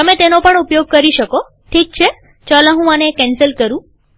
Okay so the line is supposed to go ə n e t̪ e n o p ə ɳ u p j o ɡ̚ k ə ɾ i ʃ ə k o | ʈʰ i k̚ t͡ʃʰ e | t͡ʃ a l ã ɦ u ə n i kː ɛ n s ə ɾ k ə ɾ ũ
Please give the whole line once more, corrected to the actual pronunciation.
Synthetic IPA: ə m e t̪ e n o p ə ɳ u p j o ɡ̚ k ə ɾ i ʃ ə k o | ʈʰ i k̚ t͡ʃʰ e | t͡ʃ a l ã ɦ ũ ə n e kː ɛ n s ə l k ə ɾ ũ

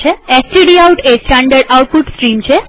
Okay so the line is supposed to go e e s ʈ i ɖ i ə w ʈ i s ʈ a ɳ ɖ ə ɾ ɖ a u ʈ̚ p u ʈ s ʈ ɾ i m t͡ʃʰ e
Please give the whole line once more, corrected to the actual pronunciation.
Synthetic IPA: e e s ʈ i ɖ i a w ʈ e s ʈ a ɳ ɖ ə ɾ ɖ a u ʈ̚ p u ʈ s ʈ ɾ i m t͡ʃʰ e

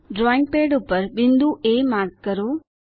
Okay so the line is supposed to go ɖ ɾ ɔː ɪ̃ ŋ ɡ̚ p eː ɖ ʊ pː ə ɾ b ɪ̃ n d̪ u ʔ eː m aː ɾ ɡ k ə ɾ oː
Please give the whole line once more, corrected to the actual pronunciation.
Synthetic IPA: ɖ ɾ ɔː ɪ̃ ŋ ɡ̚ p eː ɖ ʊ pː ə ɾ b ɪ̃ n d̪ u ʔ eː m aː ɾ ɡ k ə ɾ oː

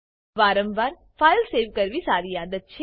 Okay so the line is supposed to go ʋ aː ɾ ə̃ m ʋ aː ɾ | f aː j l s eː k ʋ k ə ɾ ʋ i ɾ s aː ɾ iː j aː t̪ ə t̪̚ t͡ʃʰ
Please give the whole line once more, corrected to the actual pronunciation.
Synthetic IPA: ʋ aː ɾ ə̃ m ʋ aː ɾ | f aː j l s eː ʋ k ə ɾ ʋ i s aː ɾ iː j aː d̪ ə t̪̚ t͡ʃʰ

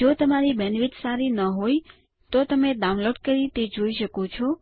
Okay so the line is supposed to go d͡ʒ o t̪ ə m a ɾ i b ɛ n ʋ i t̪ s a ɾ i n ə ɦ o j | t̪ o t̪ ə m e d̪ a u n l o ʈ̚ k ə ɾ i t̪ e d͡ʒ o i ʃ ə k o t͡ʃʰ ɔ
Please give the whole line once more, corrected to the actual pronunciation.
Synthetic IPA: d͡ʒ o t̪ ə m a ɾ i b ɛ n ʋ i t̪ s a ɾ i n ə ɦ o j | t̪ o t̪ ə m e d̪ a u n l o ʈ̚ k ə ɾ i t̪ e d͡ʒ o i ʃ ə k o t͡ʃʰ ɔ

